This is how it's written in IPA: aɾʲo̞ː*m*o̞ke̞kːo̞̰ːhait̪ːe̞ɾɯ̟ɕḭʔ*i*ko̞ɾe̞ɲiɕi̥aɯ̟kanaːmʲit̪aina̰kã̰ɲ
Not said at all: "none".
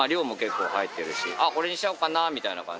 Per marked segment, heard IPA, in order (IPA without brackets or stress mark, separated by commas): m, a